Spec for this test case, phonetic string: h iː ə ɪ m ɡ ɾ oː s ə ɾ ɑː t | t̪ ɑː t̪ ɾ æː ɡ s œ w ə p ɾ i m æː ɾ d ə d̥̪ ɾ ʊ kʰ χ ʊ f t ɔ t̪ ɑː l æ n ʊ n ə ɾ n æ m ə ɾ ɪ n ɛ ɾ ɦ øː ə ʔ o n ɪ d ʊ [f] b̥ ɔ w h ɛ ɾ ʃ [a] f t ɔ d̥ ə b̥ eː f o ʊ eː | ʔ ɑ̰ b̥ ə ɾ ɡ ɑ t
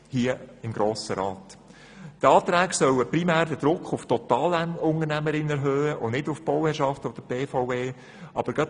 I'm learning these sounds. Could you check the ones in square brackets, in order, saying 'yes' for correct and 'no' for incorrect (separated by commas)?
yes, no